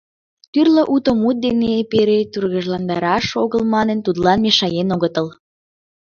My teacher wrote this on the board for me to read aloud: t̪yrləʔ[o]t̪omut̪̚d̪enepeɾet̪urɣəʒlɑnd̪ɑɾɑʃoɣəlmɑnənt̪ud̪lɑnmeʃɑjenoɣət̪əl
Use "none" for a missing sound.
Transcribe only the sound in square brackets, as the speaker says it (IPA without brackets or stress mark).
u